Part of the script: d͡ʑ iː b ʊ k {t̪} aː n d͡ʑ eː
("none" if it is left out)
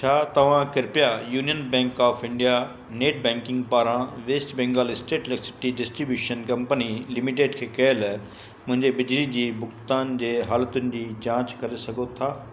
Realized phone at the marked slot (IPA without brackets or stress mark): t̪